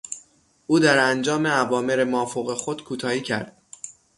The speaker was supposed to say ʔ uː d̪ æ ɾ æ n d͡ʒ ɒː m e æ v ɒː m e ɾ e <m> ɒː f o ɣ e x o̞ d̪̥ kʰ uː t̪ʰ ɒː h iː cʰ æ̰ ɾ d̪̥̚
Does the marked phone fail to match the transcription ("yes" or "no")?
no